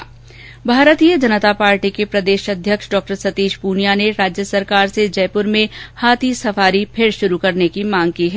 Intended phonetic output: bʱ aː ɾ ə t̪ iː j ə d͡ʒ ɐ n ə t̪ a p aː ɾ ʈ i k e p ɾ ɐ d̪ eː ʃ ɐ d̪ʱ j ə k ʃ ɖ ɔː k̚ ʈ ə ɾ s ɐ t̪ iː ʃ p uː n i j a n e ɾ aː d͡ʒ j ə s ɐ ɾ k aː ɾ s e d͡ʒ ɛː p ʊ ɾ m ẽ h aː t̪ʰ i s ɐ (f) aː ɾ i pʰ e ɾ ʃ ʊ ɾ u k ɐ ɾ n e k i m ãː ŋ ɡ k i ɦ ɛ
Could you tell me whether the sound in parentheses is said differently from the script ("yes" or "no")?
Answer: no